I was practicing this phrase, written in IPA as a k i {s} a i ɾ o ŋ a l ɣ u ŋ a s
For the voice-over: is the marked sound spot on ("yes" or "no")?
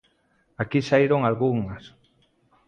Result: yes